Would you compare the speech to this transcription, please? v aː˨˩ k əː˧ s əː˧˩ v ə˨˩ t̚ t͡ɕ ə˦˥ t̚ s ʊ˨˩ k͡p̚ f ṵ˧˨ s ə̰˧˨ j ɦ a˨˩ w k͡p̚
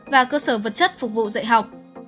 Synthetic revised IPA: v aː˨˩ k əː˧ s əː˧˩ v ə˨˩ t̚ t͡ɕ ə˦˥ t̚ f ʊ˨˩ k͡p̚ v ṵ˧˨ z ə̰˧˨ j ɦ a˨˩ w k͡p̚